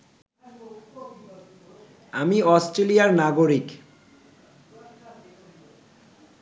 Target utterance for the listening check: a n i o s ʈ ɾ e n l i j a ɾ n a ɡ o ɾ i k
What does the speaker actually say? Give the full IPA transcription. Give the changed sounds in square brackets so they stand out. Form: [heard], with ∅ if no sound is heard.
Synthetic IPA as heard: a [m] i [ɔ] s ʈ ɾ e [∅] l i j a ɾ n a ɡ o ɾ i k